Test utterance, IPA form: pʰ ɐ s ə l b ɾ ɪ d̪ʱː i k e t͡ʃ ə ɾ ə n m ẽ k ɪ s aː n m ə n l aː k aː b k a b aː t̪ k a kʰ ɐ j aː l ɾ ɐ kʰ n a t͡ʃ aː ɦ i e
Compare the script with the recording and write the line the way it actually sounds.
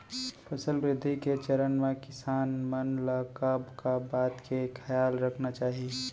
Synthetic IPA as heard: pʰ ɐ s ə l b ɾ ɪ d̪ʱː i k e t͡ʃ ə ɾ ə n m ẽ k ɪ s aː n m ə n l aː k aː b k a b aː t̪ k e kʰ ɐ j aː l ɾ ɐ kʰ n a t͡ʃ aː ɦ i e